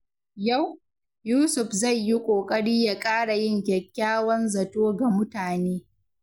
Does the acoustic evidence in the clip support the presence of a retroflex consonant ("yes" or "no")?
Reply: yes